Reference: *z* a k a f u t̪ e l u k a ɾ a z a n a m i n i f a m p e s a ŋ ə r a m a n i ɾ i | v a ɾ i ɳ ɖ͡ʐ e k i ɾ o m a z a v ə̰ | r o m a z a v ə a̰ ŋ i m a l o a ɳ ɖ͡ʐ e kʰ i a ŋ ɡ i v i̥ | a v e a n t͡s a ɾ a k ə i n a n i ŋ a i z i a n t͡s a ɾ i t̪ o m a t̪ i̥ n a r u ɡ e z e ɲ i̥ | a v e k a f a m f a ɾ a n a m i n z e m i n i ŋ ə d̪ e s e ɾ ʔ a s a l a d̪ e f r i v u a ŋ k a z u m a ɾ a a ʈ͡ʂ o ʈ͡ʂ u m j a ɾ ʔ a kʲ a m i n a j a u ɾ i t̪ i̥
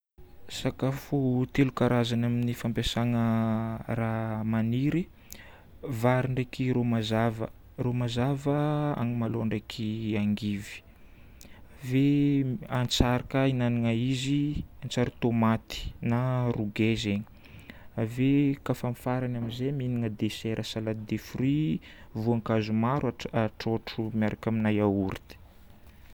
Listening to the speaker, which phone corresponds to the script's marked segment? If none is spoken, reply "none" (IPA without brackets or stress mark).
s